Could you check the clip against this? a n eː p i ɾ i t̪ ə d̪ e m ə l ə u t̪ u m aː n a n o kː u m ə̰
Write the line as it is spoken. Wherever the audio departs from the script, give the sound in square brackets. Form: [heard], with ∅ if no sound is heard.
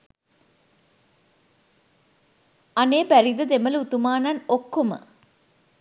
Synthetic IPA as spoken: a n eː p [æ] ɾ i [d̪] ə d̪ e m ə l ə u t̪ u m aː n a n o kː [o] m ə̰

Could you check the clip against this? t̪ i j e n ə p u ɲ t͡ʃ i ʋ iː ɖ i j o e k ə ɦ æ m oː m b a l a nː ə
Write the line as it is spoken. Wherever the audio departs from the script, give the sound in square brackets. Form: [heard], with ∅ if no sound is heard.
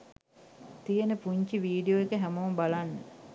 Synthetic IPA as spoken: t̪ i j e n ə p u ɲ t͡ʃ i ʋ iː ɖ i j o e k ə ɦ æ m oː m b a l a nː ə

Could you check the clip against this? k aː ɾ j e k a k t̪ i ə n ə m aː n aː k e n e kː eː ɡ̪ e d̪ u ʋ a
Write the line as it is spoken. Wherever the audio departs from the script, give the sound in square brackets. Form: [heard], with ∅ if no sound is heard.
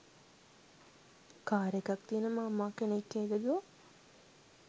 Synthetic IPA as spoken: k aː ɾ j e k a k t̪ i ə n ə m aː [m] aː k e n e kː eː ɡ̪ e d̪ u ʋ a

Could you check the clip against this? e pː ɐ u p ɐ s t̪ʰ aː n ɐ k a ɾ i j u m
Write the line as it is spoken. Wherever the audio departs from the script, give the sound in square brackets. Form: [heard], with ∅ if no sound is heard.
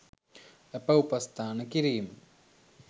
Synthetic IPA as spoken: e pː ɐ u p ɐ s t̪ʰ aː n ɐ k [i] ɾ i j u m

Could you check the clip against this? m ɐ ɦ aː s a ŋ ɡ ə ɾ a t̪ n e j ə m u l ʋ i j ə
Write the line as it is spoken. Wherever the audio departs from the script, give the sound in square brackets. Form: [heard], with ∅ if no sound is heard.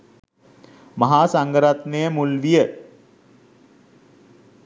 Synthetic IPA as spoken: m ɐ ɦ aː s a ŋ ɡ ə ɾ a t̪ n e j ə m u l ʋ i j ə

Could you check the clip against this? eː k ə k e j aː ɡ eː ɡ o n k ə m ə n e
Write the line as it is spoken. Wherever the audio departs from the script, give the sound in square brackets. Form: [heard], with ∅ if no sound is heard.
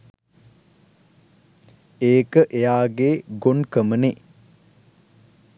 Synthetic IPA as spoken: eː k ə [ʔ] e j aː ɡ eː ɡ o n k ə m ə n e

